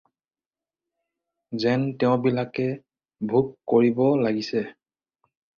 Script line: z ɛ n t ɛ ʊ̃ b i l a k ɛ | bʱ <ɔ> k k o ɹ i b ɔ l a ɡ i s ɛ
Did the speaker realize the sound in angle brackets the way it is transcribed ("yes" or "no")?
no